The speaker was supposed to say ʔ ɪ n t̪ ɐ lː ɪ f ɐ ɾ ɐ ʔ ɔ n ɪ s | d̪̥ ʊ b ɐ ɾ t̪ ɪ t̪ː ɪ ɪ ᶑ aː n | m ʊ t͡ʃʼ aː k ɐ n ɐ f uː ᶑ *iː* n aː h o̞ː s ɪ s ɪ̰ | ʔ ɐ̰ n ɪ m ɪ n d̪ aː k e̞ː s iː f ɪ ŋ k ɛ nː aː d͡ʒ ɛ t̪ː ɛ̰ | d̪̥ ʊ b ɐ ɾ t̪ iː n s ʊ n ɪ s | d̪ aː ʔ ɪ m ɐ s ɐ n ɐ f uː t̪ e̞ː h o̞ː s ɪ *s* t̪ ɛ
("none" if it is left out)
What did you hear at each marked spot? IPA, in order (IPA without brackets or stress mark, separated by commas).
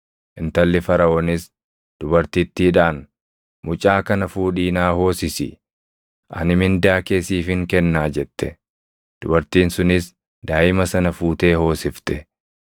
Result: iː, f